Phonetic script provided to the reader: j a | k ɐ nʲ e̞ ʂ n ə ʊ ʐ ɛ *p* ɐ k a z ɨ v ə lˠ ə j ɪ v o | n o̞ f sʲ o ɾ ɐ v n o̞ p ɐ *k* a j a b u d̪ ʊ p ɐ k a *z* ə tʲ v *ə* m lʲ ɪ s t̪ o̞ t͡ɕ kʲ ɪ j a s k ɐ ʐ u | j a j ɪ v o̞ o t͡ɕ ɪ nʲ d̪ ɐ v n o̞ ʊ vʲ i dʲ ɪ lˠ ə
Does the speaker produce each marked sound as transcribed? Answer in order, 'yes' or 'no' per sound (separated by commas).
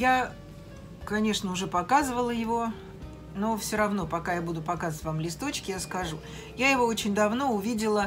yes, yes, yes, no